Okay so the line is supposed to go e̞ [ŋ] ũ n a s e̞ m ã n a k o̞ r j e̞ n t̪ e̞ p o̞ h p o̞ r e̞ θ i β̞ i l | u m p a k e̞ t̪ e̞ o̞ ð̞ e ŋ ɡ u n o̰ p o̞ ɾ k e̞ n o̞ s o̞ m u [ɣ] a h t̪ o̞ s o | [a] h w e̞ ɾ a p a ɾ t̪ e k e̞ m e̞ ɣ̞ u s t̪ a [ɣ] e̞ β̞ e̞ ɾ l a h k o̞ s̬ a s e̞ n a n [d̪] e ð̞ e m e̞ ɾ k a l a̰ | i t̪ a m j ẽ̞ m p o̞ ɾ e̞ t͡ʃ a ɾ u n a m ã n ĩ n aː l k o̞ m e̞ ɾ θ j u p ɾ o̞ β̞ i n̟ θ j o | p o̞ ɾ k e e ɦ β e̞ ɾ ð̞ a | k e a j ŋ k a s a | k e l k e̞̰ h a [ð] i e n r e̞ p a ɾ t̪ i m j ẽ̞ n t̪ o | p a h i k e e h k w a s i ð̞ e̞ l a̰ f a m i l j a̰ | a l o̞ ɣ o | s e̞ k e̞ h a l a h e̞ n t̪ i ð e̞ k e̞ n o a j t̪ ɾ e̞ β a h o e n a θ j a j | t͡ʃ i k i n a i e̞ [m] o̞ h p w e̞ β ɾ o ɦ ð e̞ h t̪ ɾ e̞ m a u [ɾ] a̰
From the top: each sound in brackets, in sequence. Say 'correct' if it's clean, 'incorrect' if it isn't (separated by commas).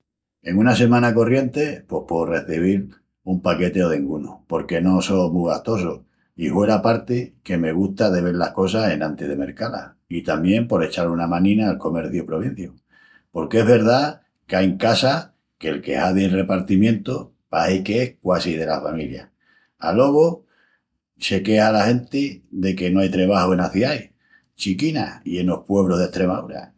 correct, correct, incorrect, incorrect, incorrect, correct, incorrect, correct